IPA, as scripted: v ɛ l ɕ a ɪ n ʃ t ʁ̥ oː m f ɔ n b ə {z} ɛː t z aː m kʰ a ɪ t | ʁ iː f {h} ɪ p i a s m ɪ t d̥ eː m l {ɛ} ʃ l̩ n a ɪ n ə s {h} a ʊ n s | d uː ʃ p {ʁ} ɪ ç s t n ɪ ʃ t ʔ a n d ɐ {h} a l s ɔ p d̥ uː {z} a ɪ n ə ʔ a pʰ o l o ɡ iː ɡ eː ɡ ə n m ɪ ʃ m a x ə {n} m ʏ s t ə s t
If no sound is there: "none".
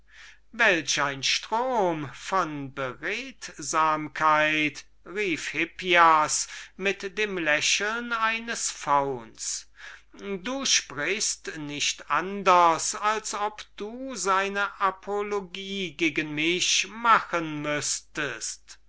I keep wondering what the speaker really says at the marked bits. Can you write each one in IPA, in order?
ʁ, h, ɛ, f, ʁ, s, z, n

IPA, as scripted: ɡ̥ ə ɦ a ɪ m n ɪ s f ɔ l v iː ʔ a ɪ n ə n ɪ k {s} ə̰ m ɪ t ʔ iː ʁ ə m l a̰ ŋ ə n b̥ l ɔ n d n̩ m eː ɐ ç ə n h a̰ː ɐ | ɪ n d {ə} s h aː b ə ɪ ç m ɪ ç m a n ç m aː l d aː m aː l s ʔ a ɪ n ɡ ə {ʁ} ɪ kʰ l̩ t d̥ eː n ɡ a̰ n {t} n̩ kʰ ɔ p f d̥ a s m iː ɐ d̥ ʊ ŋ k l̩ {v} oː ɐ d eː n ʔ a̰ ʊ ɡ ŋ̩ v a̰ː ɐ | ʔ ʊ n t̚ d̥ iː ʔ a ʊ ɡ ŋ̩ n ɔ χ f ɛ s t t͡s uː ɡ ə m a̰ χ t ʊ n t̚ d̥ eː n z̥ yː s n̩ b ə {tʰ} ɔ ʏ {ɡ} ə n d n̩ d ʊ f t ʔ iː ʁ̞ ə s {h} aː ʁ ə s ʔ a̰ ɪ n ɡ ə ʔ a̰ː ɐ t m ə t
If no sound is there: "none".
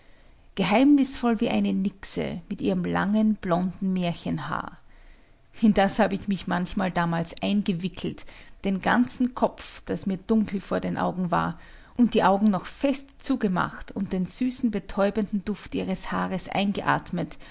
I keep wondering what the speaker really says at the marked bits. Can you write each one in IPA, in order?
s, a, v, t͡s, f, tʰ, b, h

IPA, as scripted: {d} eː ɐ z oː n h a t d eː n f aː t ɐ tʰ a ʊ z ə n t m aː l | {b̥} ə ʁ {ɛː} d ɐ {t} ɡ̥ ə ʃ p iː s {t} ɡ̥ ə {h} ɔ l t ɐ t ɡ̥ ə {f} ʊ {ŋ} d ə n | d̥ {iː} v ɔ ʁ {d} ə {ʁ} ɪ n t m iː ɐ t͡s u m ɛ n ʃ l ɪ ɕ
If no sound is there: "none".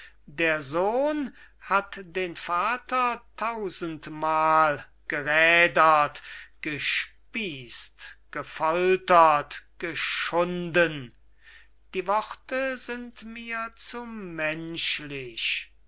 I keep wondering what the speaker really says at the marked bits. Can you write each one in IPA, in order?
d, ɡ̥, ɛː, t, t, f, ʃ, n, iː, t, z

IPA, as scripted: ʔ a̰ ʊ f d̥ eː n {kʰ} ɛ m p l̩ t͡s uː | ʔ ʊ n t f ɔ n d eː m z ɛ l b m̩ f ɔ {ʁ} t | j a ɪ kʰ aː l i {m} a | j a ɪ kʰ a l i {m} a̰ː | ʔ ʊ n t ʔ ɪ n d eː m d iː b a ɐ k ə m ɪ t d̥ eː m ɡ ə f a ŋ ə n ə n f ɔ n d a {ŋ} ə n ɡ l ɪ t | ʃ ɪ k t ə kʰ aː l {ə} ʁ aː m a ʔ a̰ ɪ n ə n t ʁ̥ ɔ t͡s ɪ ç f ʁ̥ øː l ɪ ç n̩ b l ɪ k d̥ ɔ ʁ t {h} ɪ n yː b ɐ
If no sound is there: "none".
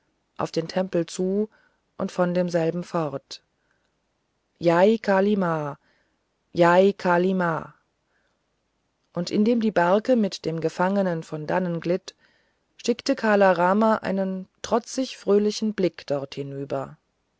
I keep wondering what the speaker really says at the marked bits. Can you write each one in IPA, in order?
tʰ, ʁ, m, m, n, a, h

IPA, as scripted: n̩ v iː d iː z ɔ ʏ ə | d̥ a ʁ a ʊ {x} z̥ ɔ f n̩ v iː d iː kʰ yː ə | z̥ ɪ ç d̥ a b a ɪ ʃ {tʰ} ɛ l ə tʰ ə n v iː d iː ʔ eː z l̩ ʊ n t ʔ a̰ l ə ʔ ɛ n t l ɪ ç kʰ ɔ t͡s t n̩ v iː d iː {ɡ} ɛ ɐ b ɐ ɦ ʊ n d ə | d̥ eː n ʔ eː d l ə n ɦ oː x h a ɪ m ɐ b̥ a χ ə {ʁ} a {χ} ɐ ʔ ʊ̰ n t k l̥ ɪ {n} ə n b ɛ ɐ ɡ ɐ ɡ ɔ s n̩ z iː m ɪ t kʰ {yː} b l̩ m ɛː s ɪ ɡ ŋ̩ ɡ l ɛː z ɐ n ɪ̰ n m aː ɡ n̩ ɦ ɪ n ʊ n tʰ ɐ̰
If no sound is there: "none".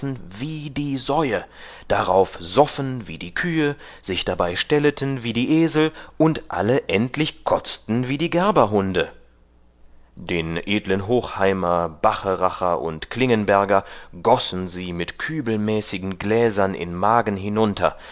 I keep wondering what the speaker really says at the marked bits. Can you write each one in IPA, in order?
f, t, ɡ, ʁ, χ, ŋ, yː

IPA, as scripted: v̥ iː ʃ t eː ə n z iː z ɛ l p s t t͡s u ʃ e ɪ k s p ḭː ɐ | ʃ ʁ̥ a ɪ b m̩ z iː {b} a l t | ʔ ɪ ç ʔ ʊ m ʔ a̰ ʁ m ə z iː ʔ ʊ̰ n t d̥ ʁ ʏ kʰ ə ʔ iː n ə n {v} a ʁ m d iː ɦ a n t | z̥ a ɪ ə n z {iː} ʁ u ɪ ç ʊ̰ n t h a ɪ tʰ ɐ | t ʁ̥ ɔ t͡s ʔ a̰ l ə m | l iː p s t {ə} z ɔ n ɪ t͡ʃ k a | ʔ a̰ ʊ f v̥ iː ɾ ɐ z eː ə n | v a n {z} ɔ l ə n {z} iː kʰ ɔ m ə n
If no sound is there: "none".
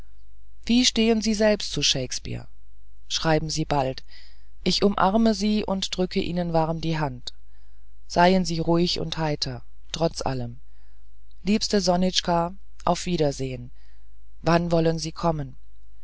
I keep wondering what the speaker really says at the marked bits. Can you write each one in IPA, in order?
b, v, iː, ə, v, z

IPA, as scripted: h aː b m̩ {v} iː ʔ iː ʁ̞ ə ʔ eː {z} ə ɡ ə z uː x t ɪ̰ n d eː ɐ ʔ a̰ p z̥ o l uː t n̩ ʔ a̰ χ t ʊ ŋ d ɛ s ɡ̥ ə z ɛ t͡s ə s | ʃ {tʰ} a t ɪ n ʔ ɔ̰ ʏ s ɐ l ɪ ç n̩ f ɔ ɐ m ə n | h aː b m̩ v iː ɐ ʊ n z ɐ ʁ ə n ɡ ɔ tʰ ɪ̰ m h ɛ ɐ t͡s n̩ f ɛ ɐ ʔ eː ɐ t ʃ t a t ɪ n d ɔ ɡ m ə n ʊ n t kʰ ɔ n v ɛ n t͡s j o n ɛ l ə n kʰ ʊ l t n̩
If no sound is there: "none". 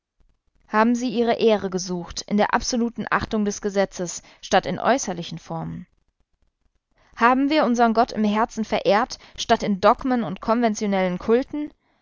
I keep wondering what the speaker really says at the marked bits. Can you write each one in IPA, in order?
z, ʁ, t

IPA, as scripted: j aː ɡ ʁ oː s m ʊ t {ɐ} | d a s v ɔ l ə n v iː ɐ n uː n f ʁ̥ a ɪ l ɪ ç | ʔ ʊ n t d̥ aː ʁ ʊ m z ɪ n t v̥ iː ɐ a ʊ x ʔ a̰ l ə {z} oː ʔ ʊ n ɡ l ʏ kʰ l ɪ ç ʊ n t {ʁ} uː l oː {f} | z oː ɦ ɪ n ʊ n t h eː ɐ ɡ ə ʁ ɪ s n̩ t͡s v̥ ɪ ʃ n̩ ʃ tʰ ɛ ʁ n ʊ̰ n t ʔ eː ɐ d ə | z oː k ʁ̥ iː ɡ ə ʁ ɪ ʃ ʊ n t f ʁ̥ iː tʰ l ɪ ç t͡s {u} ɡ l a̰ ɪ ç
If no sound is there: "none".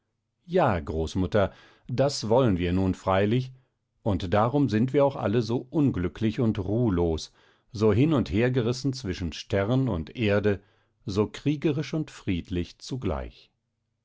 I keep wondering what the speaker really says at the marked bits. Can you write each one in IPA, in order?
ɐ, z, ʁ, s, u

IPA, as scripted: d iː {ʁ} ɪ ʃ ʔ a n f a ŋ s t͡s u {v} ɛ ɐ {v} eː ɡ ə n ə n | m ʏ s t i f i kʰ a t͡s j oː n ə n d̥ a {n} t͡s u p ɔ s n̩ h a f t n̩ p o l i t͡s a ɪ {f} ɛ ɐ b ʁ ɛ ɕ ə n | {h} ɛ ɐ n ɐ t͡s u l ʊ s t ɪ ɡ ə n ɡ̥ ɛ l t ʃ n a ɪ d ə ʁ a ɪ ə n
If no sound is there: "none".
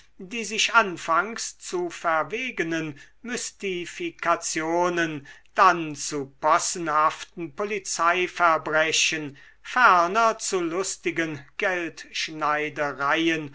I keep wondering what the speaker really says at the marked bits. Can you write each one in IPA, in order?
z, f, v, n, f, f

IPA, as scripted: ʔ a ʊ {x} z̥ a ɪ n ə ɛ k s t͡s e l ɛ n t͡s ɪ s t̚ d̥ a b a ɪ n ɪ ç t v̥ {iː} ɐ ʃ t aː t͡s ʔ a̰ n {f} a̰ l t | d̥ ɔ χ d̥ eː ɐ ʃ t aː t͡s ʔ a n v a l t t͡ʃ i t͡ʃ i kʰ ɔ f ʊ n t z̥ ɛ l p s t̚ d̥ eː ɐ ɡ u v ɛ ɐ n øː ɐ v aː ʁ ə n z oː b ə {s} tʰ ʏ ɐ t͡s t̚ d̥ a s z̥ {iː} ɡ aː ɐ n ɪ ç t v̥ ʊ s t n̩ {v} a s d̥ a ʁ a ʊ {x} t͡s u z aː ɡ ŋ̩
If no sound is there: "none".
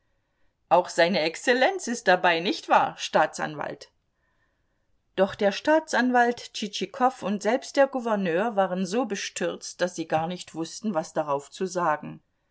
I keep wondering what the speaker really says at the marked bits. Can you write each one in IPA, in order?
x, aː, v, ʃ, iː, v, f

